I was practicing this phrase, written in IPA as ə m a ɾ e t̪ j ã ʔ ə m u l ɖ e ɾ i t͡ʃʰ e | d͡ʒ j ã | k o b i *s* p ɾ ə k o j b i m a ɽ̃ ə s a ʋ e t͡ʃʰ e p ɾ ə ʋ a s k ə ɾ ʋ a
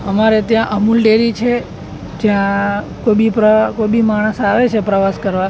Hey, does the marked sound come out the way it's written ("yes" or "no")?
no